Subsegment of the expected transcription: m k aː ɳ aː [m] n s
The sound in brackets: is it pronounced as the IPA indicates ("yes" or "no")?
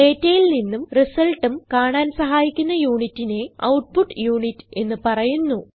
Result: no